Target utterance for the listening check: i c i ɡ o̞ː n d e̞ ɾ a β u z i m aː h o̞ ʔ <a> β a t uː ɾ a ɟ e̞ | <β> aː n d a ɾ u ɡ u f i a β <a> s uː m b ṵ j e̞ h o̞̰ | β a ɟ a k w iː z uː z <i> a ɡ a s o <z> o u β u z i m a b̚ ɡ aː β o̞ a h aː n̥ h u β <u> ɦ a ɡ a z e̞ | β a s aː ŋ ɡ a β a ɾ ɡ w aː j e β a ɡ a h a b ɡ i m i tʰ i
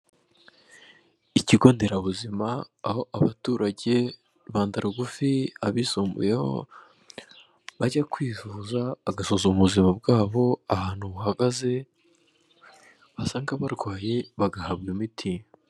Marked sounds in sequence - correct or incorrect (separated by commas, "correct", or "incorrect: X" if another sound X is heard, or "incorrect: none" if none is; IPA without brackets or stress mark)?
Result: correct, correct, incorrect: i, incorrect: a, correct, correct